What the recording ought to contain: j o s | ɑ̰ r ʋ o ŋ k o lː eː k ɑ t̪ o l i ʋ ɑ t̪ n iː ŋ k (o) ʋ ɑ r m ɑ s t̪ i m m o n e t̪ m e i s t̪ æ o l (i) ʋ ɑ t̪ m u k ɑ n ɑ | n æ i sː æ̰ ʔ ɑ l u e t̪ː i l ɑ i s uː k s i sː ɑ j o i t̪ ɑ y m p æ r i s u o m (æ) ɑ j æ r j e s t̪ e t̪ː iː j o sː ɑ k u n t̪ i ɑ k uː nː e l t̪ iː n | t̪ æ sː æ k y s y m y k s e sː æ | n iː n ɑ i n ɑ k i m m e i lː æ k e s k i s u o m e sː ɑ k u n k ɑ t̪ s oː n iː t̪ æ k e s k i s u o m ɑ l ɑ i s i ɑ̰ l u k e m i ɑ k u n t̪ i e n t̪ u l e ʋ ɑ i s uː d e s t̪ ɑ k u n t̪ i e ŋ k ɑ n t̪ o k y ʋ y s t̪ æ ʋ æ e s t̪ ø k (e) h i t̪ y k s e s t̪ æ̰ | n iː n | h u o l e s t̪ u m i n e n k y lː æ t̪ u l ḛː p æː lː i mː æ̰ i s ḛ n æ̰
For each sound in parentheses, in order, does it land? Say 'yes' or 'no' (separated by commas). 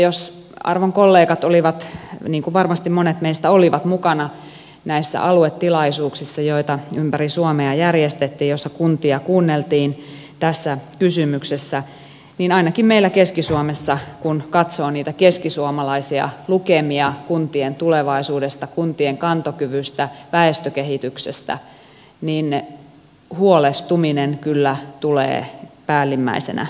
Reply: no, yes, no, yes